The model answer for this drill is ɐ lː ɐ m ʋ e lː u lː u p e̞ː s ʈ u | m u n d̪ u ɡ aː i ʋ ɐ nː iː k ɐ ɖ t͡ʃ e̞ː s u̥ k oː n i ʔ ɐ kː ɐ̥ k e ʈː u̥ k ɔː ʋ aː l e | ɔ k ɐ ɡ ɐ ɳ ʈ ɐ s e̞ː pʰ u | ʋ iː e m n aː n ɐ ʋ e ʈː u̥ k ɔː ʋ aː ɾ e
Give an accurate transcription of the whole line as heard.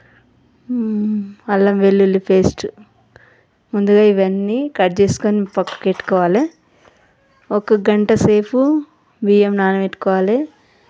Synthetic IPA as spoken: ɐ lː ɐ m ʋ e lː u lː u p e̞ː s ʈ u | m u n d̪ u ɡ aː i ʋ ɐ nː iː k ɐ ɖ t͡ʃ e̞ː s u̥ k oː n i p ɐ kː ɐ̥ k e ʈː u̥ k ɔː ʋ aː l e | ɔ k ɐ ɡ ɐ ɳ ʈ ɐ s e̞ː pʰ u | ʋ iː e m n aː n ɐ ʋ e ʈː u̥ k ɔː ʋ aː l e